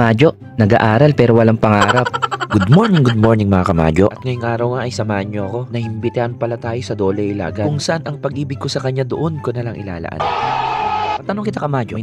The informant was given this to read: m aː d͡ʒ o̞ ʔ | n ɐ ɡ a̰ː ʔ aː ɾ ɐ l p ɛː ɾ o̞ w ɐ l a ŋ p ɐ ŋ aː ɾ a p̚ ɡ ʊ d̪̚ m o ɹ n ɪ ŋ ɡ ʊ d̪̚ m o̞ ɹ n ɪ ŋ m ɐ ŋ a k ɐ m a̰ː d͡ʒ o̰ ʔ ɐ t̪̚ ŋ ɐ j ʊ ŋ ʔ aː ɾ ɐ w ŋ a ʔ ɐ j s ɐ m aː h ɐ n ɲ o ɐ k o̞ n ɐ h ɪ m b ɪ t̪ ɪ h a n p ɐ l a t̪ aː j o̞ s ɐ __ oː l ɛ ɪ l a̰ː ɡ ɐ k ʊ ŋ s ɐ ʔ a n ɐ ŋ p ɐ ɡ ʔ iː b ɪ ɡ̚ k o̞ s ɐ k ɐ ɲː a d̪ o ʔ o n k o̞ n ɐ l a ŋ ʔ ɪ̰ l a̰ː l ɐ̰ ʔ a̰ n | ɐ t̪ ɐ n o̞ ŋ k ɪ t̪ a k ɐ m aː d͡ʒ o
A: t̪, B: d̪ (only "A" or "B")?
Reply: B